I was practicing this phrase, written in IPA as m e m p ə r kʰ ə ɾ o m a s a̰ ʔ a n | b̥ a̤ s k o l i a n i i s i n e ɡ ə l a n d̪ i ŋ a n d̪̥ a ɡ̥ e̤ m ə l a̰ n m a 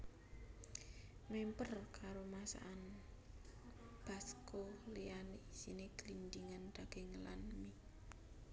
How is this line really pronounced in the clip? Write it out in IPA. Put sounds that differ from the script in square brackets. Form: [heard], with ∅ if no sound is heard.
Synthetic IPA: m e m p ə r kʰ [a] ɾ o m a s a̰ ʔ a n | b̥ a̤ s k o l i a n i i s i n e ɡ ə l [i] n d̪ i ŋ a n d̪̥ a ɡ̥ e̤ [ŋ] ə l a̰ n m [i]